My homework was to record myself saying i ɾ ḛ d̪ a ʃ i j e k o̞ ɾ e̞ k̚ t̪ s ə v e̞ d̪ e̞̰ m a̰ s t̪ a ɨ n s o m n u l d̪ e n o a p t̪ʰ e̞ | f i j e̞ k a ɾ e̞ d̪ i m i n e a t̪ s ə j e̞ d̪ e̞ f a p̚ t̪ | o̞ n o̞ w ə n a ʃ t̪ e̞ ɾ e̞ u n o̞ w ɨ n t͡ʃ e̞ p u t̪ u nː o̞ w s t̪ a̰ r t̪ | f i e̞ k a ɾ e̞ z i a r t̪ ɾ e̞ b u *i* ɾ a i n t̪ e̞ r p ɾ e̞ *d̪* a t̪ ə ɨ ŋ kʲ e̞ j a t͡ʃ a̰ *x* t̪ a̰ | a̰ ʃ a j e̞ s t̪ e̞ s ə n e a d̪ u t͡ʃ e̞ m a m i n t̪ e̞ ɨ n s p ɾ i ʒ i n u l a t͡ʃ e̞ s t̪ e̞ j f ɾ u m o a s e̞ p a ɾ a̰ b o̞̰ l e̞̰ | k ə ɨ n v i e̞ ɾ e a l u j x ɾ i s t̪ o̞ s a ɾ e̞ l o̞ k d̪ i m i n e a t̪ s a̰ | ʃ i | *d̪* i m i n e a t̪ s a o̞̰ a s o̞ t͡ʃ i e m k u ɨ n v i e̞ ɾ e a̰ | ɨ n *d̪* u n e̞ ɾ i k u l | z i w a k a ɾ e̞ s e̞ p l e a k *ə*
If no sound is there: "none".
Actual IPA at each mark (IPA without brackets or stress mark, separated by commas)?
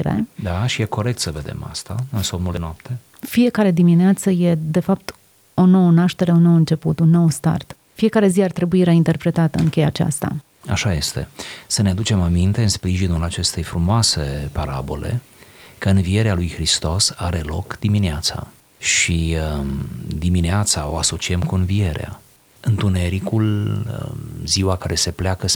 i, t̪, s, d̪, t̪, ə